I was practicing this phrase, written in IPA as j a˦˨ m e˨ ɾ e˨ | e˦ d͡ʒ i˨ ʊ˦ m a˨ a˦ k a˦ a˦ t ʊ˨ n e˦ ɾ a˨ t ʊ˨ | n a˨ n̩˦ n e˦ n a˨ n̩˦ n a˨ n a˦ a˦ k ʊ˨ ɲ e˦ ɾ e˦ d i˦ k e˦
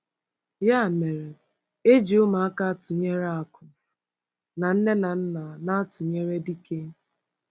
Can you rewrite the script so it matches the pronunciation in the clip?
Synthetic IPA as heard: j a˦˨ m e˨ ɾ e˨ | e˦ d͡ʒ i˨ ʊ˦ m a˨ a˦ k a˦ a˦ t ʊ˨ ɲ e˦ ɾ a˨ k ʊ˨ | n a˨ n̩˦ n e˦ n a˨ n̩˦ n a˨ n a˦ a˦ t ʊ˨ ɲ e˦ ɾ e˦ d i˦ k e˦